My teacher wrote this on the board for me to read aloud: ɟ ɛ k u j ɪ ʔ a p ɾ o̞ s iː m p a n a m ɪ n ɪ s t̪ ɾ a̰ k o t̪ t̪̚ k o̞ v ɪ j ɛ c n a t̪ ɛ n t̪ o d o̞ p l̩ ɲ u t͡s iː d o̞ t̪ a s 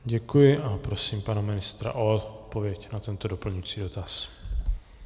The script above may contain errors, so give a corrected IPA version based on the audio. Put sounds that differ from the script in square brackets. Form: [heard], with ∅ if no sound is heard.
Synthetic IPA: ɟ ɛ k u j ɪ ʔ a p ɾ o̞ s iː m p a n a m ɪ n ɪ s t̪ ɾ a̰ [ʔ] o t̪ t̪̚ [p] o̞ v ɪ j ɛ c n a t̪ ɛ n t̪ o d o̞ p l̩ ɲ u t͡s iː d o̞ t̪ a s